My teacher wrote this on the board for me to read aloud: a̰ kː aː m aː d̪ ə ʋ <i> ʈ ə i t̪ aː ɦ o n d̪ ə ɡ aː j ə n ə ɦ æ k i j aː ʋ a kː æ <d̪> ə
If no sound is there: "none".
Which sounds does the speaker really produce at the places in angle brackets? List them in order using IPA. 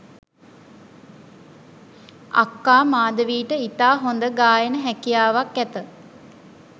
iː, t̪

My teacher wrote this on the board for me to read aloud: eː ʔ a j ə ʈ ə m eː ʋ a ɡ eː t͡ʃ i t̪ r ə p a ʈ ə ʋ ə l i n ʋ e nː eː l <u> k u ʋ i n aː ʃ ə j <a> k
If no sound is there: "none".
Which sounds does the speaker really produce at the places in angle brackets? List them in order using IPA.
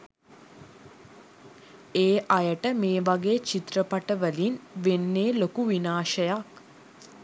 o, a

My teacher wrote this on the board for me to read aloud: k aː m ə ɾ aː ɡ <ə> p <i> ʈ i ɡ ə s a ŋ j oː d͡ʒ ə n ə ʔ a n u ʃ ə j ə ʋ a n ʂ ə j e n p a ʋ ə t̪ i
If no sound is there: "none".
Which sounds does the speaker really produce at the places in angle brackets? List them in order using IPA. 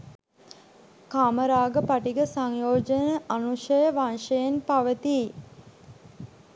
ə, a

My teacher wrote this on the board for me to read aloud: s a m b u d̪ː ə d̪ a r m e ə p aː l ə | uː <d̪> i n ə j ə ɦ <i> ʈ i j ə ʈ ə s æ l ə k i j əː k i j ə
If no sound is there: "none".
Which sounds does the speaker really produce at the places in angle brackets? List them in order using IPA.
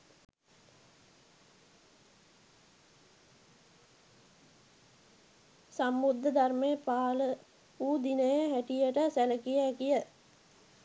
d̪, æ

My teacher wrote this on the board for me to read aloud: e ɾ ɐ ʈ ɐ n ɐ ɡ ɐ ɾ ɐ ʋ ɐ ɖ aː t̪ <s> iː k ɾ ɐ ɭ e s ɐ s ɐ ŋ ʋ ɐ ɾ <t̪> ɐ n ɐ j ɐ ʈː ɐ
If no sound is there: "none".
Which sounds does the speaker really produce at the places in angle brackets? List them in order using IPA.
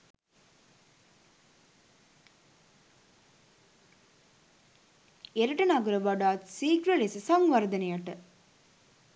s, d̪

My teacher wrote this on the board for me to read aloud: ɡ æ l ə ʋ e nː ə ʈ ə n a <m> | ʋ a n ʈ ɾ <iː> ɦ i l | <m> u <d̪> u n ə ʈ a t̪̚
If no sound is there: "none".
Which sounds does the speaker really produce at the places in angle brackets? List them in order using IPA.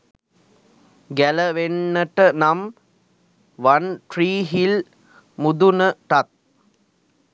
m, iː, m, d̪

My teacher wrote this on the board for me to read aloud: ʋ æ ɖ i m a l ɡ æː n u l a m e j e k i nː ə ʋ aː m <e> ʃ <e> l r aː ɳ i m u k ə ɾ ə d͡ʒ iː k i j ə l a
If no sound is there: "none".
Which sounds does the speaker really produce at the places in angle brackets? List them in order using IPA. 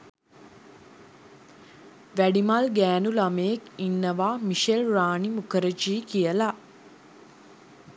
i, e

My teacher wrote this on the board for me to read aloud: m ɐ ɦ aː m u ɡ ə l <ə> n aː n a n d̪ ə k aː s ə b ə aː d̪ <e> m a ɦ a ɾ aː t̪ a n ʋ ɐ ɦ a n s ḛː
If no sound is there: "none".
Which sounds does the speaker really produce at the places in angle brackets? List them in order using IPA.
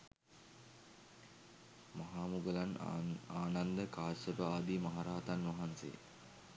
a, i

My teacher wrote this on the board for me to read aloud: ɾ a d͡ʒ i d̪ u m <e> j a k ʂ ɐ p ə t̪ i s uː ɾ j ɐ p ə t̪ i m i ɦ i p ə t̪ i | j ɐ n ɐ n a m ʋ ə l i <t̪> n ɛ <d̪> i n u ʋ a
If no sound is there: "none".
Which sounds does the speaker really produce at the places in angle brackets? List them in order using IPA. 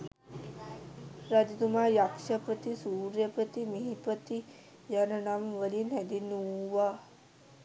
a, none, d̪

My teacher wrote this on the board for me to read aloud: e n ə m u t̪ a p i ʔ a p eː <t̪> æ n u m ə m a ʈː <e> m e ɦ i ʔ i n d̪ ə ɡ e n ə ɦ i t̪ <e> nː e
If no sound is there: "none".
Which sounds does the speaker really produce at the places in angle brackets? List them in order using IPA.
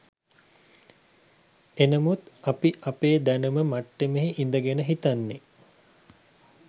d̪, e, a

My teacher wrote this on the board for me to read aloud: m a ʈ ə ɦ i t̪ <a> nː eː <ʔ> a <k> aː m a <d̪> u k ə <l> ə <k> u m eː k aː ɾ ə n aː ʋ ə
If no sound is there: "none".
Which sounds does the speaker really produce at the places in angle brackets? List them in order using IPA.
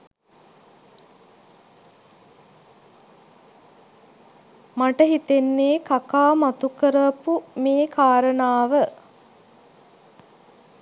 e, k, k, t̪, ɾ, p

